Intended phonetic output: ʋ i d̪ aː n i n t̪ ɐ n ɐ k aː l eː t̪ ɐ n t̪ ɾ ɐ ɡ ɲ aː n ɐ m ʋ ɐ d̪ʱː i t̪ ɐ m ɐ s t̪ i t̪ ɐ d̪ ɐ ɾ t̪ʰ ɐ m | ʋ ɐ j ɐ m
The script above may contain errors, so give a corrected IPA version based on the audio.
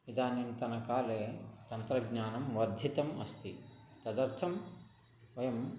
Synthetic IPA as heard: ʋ i d̪ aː n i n t̪ ɐ n ɐ k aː l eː t̪ ɐ n t̪ ɾ ɐ ɡ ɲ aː n ɐ m ʋ ɐ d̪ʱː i t̪ ɐ m ɐ s t̪ i t̪ ɐ d̪ ɐ ɾ t̪ʰ ɐ m | ʋ ɐ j ɐ m